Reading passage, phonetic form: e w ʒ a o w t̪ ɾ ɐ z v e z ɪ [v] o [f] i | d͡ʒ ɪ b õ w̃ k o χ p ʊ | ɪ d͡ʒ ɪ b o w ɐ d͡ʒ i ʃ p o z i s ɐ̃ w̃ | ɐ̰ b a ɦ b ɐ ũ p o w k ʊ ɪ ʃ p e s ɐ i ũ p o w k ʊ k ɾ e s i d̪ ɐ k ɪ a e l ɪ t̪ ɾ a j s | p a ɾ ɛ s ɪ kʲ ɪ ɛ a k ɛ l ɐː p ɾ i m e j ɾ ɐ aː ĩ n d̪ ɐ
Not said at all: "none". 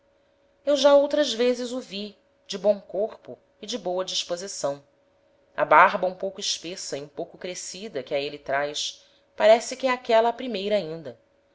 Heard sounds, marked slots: z, v

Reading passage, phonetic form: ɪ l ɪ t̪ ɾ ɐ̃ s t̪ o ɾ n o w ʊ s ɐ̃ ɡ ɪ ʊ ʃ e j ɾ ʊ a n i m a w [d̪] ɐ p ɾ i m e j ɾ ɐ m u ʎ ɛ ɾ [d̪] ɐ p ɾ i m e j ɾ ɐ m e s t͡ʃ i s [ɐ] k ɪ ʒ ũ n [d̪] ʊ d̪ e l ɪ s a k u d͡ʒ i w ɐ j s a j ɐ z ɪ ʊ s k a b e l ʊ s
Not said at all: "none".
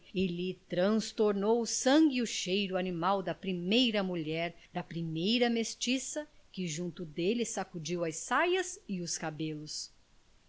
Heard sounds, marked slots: d̪, d̪, ɐ, t̪

